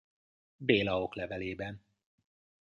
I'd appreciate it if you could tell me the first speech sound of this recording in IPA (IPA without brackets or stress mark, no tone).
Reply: b